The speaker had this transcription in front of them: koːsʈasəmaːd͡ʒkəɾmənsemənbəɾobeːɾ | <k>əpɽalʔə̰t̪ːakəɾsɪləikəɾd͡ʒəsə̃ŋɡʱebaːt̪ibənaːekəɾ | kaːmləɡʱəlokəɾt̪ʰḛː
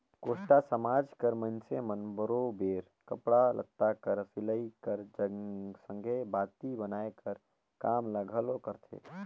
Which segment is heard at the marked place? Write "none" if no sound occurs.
k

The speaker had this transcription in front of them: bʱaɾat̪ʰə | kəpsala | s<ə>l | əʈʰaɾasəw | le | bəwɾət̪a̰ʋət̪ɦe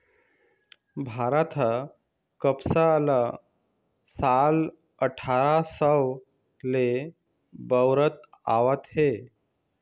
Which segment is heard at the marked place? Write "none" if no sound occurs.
a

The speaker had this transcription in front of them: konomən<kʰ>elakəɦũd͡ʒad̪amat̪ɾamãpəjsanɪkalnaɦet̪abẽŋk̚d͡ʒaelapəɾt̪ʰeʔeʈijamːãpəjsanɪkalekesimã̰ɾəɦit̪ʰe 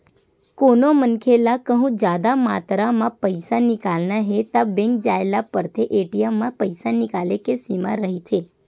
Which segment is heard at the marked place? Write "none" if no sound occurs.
kʰ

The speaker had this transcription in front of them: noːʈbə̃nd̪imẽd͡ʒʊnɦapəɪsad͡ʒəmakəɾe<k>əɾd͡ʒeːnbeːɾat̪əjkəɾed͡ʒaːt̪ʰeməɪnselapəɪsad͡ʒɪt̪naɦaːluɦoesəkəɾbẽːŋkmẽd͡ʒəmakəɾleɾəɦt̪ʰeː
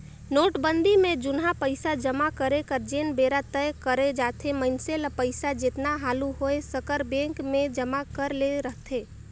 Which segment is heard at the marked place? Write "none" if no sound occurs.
k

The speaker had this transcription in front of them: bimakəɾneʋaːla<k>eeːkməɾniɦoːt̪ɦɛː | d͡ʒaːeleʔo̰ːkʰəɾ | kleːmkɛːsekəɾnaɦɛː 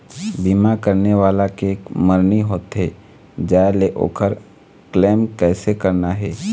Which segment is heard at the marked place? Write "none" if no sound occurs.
k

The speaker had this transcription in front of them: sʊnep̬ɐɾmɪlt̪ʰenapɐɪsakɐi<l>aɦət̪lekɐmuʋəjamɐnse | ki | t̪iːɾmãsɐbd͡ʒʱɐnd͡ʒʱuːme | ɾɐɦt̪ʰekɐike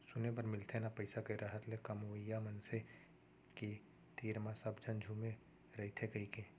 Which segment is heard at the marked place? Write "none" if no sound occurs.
ɾ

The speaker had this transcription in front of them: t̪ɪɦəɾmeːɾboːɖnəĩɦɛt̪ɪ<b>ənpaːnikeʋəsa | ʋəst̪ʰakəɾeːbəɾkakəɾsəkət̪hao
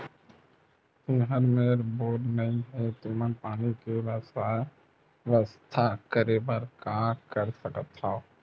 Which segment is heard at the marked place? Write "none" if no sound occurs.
m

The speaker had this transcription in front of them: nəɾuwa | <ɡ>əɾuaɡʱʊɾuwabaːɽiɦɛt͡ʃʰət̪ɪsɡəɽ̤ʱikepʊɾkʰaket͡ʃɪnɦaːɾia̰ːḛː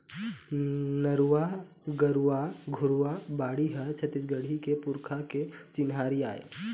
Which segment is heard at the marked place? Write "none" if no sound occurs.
ɡ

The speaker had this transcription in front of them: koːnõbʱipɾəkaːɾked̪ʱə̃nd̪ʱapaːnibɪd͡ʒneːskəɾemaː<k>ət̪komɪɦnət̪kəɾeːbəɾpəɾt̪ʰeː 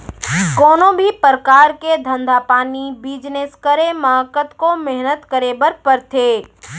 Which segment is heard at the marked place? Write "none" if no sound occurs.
k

